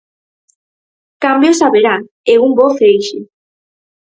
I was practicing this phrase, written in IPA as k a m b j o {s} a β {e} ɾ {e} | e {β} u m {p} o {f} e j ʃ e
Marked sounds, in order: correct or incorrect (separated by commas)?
correct, correct, incorrect, incorrect, incorrect, incorrect